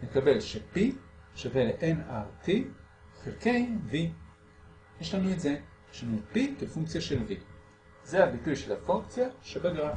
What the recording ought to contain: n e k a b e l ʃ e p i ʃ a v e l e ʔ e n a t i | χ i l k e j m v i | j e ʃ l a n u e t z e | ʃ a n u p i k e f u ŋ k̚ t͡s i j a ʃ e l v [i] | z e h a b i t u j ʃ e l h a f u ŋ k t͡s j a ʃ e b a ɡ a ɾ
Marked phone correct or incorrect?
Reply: correct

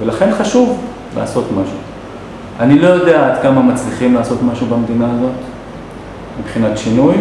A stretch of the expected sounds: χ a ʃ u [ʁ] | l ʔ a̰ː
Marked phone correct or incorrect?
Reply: incorrect: v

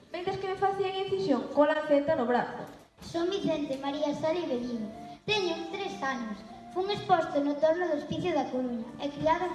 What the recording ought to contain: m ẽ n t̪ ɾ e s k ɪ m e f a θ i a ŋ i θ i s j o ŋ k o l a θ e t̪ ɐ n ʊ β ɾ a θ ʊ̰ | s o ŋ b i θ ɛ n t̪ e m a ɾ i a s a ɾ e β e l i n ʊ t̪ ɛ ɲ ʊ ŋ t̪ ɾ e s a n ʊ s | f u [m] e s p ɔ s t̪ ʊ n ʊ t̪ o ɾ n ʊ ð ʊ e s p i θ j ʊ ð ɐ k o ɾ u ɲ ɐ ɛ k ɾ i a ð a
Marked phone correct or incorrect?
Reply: incorrect: ŋ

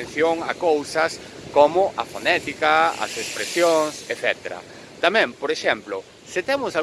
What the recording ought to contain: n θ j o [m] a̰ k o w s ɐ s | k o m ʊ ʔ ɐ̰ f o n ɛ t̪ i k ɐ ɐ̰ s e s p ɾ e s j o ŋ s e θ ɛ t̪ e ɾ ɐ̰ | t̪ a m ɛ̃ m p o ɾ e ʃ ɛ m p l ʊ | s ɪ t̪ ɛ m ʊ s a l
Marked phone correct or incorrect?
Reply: incorrect: ŋ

